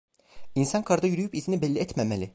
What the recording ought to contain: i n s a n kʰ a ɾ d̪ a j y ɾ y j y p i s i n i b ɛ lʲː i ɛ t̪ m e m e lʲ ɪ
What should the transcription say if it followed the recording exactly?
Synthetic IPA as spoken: i n s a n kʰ a ɾ d̪ a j y ɾ y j y p i z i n i b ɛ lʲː i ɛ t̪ m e m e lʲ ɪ